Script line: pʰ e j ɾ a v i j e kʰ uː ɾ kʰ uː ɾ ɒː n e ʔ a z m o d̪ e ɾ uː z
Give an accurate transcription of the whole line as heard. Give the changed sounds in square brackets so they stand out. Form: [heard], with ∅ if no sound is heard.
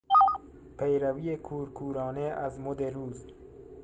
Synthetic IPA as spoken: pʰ e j ɾ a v i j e kʰ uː ɾ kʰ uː ɾ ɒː n e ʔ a z m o d̪ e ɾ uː z